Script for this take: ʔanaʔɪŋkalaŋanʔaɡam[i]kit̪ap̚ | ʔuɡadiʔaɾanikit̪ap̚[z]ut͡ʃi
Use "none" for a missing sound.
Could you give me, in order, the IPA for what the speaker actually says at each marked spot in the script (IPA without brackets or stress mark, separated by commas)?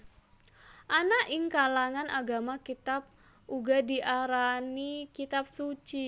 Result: a, s